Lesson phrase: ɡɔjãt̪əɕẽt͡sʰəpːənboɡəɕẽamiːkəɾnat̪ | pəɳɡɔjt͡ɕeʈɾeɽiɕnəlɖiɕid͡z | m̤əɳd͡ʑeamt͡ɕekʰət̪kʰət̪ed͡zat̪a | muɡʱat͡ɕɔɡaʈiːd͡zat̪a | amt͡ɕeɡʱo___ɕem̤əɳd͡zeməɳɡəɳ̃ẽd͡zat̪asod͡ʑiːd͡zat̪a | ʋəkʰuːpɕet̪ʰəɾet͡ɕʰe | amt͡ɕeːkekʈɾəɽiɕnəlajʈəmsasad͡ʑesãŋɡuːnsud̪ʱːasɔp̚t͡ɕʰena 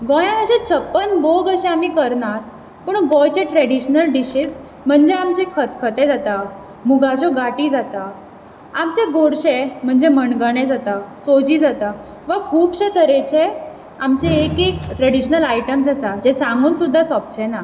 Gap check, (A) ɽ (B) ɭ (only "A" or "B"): A